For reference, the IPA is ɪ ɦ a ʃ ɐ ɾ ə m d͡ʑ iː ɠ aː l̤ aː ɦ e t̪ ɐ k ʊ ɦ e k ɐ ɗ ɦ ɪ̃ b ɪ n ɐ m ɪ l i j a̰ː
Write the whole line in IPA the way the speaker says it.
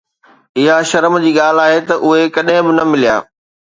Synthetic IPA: ɪ ɦ a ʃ ɐ ɾ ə m d͡ʑ iː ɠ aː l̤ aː ɦ e t̪ ɐ ʔ ʊ ɦ e k ɐ ɗ ɦ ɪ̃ b ɪ n ɐ m ɪ l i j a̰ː